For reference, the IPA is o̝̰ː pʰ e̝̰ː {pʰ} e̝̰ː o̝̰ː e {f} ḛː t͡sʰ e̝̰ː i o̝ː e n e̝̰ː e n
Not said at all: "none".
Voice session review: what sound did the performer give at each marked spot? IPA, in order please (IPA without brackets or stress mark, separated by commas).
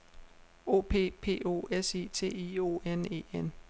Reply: pʰ, s